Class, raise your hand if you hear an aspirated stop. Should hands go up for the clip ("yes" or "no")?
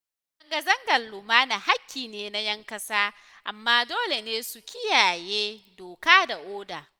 no